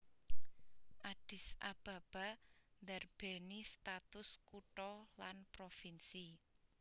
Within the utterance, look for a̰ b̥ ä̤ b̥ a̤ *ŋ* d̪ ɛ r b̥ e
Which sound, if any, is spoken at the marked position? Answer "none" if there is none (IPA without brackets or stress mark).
n